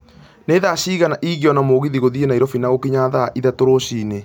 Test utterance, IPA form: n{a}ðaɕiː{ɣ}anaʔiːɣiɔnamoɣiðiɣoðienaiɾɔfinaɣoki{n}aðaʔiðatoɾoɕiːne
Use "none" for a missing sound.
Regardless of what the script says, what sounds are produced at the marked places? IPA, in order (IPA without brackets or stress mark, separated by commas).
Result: e, ɣ, ɲ